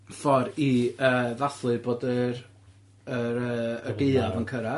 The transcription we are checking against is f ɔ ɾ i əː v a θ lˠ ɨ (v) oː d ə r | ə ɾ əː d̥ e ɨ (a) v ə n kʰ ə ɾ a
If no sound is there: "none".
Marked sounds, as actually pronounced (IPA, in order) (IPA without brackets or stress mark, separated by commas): b, a